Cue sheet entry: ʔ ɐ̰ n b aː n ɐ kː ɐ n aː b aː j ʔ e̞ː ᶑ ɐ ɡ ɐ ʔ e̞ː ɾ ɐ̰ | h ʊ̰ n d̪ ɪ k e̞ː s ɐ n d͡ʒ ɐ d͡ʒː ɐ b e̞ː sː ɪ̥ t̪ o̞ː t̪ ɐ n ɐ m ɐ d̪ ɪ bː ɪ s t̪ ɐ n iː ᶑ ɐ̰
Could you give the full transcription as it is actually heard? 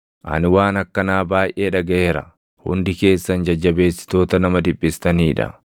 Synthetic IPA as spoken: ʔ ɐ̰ n w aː n ɐ kː ɐ n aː b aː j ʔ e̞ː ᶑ ɐ ɡ ɐ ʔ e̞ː ɾ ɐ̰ | h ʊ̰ n d̪ ɪ k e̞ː sː ɐ n d͡ʒ ɐ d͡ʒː ɐ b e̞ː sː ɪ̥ t̪ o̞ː t̪ ɐ n ɐ m ɐ d̪ ɪ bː ɪ s t̪ ɐ n iː ᶑ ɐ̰